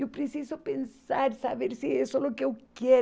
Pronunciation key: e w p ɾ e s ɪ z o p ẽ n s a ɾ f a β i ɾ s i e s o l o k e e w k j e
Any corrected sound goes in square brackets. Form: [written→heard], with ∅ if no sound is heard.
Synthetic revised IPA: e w p ɾ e s [ɪ→i] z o p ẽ n s a ɾ [f→s] a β [i→e] ɾ s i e s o l o k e e w k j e